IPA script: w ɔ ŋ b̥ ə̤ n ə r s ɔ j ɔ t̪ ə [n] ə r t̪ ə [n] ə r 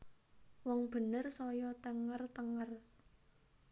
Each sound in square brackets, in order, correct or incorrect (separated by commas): incorrect, incorrect